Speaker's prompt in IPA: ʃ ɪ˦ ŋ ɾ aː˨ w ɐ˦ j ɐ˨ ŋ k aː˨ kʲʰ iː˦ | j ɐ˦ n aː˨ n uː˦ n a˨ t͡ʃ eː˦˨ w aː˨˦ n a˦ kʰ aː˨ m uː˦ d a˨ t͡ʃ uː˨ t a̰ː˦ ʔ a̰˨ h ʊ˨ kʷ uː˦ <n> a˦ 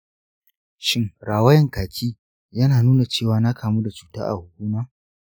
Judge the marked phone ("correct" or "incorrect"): incorrect